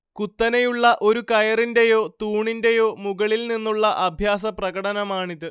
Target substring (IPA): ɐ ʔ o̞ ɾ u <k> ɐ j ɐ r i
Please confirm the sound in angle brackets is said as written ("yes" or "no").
yes